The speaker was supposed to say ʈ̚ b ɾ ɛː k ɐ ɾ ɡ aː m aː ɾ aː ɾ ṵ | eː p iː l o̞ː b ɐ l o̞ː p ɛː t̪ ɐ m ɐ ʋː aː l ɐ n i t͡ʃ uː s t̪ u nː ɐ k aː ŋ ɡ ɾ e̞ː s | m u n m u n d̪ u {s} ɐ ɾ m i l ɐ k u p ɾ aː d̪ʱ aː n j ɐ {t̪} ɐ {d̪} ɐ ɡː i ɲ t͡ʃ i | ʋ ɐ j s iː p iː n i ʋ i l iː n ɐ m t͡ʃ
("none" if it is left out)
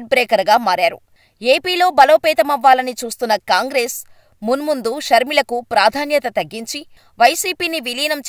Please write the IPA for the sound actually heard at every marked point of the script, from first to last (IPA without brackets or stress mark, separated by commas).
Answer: ʃ, t̪, t̪